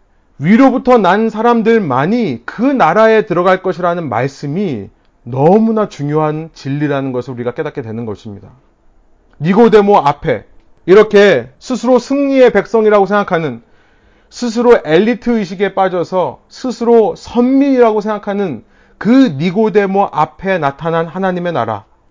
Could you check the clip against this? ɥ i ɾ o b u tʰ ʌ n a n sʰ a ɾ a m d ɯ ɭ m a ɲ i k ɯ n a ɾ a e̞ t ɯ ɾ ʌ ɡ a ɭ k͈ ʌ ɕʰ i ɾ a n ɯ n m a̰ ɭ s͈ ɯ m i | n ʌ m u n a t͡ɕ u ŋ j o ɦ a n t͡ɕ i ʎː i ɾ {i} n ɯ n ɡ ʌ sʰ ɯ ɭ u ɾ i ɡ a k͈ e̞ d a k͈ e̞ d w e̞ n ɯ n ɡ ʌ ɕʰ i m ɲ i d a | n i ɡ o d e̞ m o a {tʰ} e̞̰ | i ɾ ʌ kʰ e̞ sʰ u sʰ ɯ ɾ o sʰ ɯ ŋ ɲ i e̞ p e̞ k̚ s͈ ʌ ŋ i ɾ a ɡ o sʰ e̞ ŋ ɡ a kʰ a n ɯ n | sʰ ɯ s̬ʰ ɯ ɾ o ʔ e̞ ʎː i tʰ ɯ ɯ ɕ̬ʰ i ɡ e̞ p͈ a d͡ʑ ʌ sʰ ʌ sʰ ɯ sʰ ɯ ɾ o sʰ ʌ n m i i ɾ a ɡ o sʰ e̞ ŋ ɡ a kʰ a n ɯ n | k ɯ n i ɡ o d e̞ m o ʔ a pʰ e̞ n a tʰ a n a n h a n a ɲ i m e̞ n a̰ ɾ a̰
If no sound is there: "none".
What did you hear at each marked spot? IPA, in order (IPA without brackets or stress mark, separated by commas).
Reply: a, pʰ